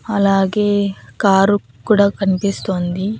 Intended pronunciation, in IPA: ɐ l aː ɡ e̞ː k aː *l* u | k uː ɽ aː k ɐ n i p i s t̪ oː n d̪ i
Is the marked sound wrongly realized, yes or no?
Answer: yes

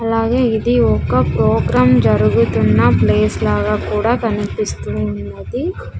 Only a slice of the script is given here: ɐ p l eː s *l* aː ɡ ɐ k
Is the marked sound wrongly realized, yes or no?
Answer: no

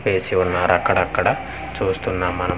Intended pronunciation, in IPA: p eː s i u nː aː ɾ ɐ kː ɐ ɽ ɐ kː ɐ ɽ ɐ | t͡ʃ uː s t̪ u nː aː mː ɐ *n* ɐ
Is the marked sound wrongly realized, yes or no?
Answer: no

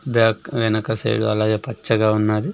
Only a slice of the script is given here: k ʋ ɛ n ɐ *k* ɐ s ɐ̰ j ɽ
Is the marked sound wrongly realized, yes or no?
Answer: no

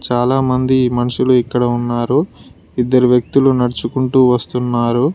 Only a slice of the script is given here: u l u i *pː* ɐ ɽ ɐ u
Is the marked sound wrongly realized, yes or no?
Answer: yes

